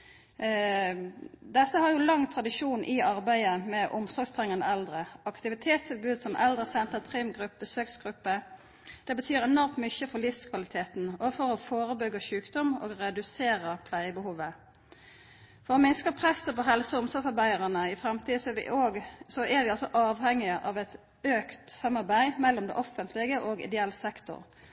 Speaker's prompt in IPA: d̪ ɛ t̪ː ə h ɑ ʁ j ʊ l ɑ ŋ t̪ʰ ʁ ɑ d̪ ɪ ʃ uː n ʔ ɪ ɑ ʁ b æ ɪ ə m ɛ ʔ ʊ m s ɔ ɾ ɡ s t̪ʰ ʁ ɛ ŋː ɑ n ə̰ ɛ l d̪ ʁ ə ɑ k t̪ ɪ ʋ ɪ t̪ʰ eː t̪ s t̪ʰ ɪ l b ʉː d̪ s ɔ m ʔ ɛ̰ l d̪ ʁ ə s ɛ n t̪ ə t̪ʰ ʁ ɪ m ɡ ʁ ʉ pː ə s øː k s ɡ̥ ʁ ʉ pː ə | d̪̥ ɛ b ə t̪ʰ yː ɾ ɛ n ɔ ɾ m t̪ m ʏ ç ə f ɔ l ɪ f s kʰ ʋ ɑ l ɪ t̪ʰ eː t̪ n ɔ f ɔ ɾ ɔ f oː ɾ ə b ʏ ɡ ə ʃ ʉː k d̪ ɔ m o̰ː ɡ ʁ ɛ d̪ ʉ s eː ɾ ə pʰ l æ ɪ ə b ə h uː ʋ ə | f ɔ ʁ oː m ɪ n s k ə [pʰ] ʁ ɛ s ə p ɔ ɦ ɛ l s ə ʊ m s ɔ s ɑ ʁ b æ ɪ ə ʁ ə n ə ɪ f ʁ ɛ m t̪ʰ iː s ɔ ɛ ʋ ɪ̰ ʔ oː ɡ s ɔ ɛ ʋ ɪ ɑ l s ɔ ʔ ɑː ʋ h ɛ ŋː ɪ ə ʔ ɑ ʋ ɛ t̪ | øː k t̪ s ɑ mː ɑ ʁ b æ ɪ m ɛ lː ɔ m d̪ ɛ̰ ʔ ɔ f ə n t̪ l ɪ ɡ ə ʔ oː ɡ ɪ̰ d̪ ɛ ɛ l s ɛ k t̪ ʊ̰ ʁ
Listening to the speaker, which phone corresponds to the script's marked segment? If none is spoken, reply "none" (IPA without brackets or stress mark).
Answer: pʰ